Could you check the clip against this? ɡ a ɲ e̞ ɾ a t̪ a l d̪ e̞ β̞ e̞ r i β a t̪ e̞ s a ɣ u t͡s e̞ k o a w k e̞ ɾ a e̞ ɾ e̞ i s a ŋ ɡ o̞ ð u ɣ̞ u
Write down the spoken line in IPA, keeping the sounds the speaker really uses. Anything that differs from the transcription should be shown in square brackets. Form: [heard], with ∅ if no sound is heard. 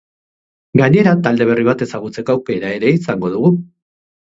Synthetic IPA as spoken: ɡ a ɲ e̞ ɾ a t̪ a l d̪ e̞ β̞ e̞ r i β a t̪ e̞ s a ɣ u t͡s e̞ k o a w k e̞ ɾ a e̞ ɾ e̞ i s a ŋ ɡ o̞ ð u ɣ̞ u